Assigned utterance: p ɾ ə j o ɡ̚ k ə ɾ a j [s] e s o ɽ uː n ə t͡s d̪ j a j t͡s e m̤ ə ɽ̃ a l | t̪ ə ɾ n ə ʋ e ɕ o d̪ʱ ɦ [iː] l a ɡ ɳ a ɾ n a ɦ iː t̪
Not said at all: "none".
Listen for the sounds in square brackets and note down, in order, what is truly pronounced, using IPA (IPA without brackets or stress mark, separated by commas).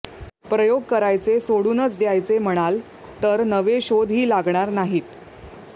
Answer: t͡s, iː